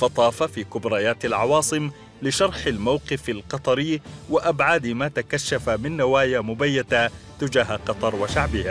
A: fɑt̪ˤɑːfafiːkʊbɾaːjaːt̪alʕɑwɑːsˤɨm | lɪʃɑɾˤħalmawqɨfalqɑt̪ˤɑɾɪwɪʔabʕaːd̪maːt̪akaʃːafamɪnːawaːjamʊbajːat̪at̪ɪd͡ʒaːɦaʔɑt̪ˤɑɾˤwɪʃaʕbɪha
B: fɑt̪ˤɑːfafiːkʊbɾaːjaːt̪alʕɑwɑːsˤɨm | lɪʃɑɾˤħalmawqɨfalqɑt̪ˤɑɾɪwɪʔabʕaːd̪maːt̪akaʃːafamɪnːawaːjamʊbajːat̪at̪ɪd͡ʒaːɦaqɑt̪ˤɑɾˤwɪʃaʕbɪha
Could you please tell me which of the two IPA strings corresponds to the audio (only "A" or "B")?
B